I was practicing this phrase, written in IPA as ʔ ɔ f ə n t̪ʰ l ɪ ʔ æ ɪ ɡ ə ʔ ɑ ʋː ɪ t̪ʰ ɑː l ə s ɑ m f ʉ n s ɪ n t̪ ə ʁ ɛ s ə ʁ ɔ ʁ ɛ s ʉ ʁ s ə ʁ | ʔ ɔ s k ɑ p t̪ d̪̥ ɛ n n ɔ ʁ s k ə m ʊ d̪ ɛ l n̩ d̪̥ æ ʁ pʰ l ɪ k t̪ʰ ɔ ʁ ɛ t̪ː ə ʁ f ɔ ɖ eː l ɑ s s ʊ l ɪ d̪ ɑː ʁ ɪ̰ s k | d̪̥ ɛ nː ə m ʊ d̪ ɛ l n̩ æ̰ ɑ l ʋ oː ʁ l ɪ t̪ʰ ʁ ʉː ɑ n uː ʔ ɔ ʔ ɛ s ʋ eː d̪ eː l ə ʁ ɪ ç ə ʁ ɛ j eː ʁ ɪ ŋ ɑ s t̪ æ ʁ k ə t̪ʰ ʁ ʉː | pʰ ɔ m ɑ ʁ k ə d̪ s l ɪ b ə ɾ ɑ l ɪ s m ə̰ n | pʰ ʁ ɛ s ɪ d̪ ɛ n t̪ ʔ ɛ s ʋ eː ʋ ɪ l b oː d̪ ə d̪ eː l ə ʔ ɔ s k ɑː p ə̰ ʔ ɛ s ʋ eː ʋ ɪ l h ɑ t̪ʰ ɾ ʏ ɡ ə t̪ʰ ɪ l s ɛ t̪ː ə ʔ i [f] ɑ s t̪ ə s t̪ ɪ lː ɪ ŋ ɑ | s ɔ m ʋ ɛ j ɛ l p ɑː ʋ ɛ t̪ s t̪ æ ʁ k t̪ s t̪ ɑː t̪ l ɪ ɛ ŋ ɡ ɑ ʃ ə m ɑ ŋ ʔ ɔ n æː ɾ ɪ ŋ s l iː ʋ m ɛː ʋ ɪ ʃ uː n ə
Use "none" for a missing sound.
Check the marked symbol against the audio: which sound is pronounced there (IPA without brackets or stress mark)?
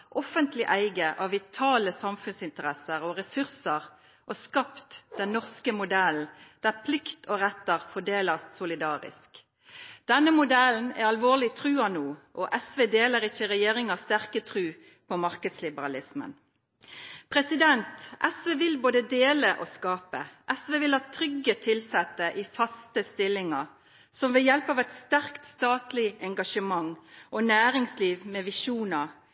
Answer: f